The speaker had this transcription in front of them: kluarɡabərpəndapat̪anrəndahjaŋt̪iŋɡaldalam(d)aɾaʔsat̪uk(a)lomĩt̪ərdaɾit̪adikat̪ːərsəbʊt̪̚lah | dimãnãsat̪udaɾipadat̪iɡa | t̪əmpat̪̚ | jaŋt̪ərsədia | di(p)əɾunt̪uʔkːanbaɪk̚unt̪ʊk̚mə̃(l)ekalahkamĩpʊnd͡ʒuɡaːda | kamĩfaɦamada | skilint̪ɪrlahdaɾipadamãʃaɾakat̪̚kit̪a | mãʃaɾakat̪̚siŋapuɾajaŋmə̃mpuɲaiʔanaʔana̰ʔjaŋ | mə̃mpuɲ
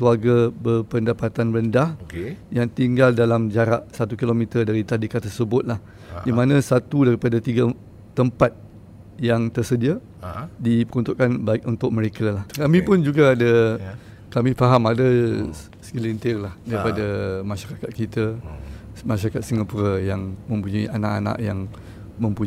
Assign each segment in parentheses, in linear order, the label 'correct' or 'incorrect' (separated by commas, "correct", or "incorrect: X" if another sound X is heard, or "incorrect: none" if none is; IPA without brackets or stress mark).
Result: incorrect: d͡ʒ, incorrect: i, correct, incorrect: ɾ